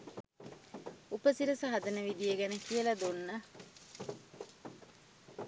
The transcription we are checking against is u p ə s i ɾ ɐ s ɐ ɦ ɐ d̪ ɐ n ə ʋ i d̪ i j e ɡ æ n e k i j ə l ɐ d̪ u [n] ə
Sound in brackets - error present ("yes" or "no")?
yes